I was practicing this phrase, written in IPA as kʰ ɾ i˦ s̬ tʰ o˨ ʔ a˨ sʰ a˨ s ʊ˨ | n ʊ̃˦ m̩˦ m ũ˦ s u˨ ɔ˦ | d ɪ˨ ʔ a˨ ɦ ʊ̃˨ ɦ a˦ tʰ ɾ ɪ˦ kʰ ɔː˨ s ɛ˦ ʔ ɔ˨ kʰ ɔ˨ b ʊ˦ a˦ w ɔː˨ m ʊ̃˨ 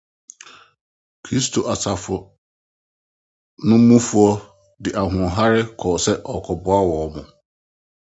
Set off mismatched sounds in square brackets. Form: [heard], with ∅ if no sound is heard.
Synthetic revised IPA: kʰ ɾ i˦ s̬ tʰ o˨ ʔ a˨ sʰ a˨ [f] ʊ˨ | n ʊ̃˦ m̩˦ m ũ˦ [f] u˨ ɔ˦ | d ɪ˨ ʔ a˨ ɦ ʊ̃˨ ɦ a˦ [∅] ɾ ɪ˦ kʰ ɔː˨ s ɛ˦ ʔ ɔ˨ kʰ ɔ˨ b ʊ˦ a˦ w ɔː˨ m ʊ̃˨